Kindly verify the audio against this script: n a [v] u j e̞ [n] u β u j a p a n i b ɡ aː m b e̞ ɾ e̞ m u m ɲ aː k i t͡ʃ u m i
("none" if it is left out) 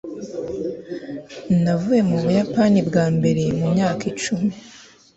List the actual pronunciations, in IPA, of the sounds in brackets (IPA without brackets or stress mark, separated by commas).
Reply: v, m